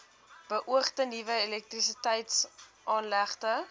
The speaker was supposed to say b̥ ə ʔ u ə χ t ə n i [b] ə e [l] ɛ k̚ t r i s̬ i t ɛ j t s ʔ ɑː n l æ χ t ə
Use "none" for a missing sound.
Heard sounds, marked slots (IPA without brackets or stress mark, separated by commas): v, l